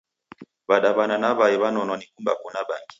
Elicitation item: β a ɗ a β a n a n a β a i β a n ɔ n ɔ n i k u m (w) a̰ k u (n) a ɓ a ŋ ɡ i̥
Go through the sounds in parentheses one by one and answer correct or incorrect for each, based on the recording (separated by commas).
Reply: incorrect, correct